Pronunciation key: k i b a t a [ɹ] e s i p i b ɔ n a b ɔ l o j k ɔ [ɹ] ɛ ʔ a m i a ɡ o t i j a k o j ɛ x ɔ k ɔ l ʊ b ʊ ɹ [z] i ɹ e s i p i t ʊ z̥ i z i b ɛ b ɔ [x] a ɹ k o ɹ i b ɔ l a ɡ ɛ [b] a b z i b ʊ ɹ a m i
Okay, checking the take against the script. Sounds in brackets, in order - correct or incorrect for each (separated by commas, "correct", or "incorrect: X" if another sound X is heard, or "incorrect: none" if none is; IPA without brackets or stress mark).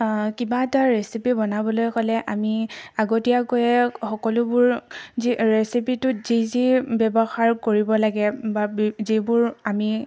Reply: correct, incorrect: l, correct, correct, correct